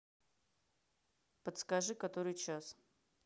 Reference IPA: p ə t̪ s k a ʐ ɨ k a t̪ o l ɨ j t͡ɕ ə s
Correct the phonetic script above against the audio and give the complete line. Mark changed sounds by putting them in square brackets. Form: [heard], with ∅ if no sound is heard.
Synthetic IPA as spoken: p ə t̪ s k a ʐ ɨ k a t̪ o [ɾ] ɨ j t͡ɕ [a] s